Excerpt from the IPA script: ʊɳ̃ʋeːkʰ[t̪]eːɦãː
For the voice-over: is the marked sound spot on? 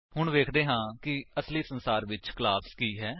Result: no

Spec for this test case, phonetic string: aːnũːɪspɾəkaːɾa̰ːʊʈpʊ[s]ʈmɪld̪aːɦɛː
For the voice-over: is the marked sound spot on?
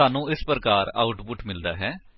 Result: no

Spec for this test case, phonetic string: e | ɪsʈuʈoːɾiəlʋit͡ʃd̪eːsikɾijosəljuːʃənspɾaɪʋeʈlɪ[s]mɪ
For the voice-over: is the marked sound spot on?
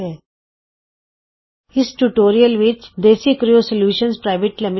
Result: no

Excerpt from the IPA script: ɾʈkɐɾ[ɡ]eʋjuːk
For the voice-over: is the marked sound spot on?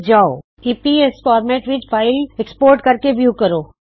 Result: no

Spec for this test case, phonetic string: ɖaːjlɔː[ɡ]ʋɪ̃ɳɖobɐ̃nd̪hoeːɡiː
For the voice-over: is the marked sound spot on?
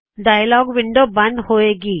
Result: yes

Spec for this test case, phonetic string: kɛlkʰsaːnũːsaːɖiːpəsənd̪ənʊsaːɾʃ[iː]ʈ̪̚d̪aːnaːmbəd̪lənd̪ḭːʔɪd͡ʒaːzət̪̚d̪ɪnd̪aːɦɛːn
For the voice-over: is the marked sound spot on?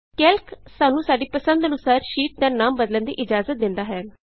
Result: yes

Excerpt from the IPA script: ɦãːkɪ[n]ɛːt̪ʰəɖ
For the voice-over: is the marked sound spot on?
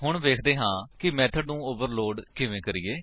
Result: no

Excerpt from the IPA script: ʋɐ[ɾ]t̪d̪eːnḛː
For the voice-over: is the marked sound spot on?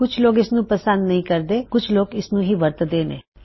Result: yes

